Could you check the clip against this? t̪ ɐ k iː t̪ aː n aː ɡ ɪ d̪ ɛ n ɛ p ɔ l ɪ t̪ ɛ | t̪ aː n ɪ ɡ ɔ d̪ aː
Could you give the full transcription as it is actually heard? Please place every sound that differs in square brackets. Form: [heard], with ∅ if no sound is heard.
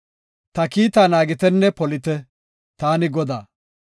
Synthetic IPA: t̪ ɐ k iː t̪ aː n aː ɡ ɪ [t̪] ɛ [nː] ɛ p ɔ l ɪ t̪ ɛ | t̪ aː n ɪ ɡ ɔ d̪ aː

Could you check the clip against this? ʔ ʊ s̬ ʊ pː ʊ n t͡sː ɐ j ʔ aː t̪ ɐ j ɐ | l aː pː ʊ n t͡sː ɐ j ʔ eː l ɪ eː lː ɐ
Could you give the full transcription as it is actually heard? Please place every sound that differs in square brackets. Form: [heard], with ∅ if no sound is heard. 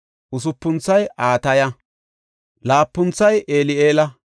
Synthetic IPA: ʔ ʊ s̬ ʊ pː ʊ n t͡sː ɐ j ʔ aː t̪ ɐ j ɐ | l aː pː ʊ n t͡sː ɐ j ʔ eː l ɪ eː [l] ɐ

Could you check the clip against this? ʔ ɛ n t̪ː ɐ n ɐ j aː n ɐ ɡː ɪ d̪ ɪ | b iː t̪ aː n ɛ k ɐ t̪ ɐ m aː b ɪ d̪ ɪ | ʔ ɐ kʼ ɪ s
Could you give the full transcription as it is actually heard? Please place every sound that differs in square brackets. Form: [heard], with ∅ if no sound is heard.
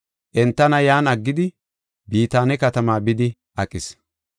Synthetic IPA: ʔ ɛ n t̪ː ɐ n ɐ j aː n ɐ ɡː ɪ d̪ ɪ | b iː t̪ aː n ɛ k ɐ t̪ ɐ m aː b ɪ d̪ ɪ | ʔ ɐ kʼ ɪ s

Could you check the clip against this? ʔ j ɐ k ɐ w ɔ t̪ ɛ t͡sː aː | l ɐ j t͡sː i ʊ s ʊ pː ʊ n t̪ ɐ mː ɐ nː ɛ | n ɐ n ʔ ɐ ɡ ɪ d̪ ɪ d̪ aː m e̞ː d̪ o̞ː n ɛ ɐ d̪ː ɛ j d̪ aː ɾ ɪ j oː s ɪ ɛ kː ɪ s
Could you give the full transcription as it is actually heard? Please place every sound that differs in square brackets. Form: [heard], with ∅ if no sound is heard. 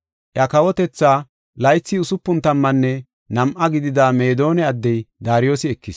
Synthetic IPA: ʔ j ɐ k ɐ w ɔ t̪ ɛ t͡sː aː | l ɐ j t͡sː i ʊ s ʊ pː ʊ n t̪ ɐ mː ɐ nː ɛ | n ɐ [m] ʔ ɐ ɡ ɪ d̪ ɪ d̪ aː m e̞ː d̪ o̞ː n ɛ ɐ d̪ː ɛ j d̪ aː ɾ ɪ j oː s ɪ ɛ kː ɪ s

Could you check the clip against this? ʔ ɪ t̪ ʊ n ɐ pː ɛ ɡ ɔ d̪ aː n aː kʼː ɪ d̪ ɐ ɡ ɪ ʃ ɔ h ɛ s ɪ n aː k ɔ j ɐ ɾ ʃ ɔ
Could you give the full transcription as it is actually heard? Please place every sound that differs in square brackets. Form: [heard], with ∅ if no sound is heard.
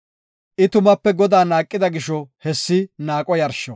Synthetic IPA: ʔ ɪ t̪ ʊ [m] ɐ pː ɛ ɡ ɔ d̪ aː n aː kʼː ɪ d̪ ɐ ɡ ɪ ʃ ɔ h ɛ [sː] ɪ n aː [kʼ] ɔ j ɐ ɾ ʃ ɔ

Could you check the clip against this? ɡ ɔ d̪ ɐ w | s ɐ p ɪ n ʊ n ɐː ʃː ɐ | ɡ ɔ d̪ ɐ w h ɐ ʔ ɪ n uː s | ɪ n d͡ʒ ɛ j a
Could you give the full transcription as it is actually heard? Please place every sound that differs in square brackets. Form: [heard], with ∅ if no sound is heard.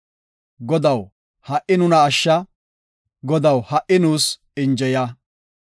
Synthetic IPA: ɡ ɔ d̪ ɐ w | [h] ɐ [ʔ] ɪ n ʊ n ɐː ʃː ɐ | ɡ ɔ d̪ ɐ w h ɐ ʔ ɪ n uː s | ɪ n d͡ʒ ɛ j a

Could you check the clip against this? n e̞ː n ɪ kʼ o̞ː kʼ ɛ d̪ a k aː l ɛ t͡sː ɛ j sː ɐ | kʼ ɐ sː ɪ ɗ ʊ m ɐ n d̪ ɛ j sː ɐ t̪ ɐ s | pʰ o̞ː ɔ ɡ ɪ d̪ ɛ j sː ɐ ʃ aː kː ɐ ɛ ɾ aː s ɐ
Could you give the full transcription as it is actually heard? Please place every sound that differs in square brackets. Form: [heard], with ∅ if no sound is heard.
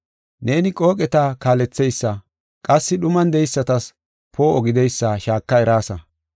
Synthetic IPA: n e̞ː n ɪ kʼ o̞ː kʼ ɛ [t̪] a k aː l ɛ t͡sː ɛ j sː ɐ | kʼ ɐ sː ɪ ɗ ʊ m ɐ n d̪ ɛ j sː ɐ t̪ ɐ s | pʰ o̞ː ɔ ɡ ɪ d̪ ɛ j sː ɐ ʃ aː kː ɐ ɛ ɾ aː s ɐ

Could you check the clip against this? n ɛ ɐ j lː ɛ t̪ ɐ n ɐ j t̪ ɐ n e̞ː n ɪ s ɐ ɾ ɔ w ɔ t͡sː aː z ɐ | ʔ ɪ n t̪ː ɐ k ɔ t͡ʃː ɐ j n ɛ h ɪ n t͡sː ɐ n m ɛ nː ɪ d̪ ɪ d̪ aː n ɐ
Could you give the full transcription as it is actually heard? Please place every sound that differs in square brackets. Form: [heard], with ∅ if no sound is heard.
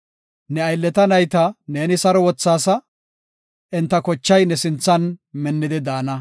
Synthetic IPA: n ɛ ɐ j lː ɛ t̪ ɐ n ɐ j t̪ ɐ n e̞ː n ɪ s ɐ ɾ ɔ w ɔ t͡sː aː [s] ɐ | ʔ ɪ n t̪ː ɐ k ɔ t͡ʃː ɐ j n ɛ [s] ɪ n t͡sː ɐ n m ɛ nː ɪ d̪ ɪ d̪ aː n ɐ

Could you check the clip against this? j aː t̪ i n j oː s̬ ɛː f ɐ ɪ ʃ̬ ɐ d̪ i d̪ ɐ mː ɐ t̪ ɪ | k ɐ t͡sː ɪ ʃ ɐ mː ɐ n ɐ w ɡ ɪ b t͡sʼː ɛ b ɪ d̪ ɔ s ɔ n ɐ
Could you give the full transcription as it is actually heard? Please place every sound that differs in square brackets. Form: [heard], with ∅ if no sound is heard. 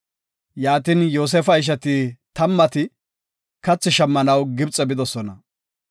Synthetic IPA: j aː t̪ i n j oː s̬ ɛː f ɐ ɪ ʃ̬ ɐ [t̪] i [t̪] ɐ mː ɐ t̪ ɪ | k ɐ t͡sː ɪ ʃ ɐ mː ɐ n ɐ w ɡ ɪ b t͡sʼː ɛ b ɪ d̪ ɔ s ɔ n ɐ

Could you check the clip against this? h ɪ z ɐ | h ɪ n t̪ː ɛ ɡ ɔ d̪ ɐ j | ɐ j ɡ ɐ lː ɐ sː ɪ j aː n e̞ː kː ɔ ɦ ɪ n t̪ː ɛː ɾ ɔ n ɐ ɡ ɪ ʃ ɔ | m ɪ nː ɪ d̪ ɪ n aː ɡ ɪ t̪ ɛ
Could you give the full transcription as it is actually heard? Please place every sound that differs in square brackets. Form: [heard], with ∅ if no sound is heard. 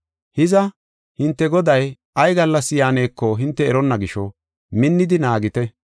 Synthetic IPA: h ɪ z ɐ | h ɪ n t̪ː ɛ ɡ ɔ d̪ ɐ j | ɐ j ɡ ɐ lː ɐ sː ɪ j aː n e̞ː kː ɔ ɦ ɪ n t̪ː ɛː ɾ ɔ [nː] ɐ ɡ ɪ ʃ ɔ | m ɪ nː ɪ d̪ ɪ n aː ɡ ɪ t̪ ɛ

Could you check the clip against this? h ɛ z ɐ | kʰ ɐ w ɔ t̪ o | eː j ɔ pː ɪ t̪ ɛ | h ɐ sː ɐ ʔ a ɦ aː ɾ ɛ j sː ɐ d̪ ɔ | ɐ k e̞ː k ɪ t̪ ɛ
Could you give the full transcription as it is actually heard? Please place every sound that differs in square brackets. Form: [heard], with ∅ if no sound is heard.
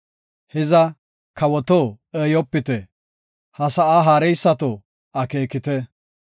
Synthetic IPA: h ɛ z ɐ | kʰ ɐ w ɔ t̪ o | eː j ɔ pː ɪ t̪ ɛ | h ɐ [s] ɐ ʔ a ɦ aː ɾ ɛ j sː ɐ [t̪] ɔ | ɐ k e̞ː k ɪ t̪ ɛ

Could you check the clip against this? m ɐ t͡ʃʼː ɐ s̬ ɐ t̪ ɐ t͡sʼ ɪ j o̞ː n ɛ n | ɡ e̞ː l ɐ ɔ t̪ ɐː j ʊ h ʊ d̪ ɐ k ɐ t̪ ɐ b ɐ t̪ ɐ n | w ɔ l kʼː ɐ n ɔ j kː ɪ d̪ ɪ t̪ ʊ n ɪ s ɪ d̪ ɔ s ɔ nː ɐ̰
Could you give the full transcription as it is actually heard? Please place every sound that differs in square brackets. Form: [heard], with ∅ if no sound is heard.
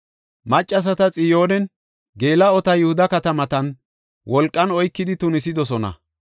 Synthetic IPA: m ɐ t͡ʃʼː ɐ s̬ ɐ t̪ ɐ t͡sʼ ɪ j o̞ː n ɛ n | ɡ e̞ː l ɐ ɔ t̪ [ɐ] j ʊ h ʊ d̪ ɐ k ɐ t̪ ɐ [m] ɐ t̪ ɐ n | w ɔ l kʼː ɐ n ɔ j kː ɪ d̪ ɪ t̪ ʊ n ɪ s ɪ d̪ ɔ s ɔ [n] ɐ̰

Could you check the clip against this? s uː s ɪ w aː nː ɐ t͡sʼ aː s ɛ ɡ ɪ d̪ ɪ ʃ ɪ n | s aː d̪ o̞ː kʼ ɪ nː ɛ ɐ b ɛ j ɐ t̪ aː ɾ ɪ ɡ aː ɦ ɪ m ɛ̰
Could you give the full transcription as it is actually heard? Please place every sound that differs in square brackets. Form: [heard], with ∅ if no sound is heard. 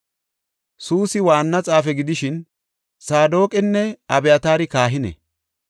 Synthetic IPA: s uː s ɪ w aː nː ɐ t͡sʼ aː [f] ɛ ɡ ɪ d̪ ɪ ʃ ɪ n | s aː d̪ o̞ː kʼ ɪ nː ɛ ɐ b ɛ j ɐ t̪ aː ɾ ɪ [k] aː ɦ ɪ [n] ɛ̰

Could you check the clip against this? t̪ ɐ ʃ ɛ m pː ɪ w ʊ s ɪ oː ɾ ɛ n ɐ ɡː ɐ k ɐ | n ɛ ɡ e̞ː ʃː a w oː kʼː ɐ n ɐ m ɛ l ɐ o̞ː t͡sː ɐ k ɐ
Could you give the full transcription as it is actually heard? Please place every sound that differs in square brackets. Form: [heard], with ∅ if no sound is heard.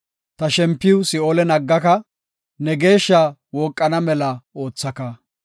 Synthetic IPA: t̪ ɐ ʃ ɛ m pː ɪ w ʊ s ɪ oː [l] ɛ n ɐ ɡː ɐ k ɐ | n ɛ ɡ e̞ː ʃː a w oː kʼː ɐ n ɐ m ɛ l ɐ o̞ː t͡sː ɐ k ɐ

